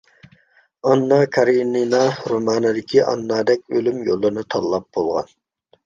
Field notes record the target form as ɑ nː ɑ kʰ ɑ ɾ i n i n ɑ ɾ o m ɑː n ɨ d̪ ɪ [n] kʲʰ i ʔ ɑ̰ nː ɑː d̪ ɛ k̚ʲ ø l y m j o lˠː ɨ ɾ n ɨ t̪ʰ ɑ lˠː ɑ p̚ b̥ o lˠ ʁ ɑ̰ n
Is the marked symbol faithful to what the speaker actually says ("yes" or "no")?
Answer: no